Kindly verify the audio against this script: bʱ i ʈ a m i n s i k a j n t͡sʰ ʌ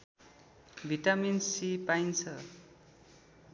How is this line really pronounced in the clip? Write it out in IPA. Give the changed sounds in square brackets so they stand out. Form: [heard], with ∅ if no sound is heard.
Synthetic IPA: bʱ i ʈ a m i n s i [p] a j n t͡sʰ ʌ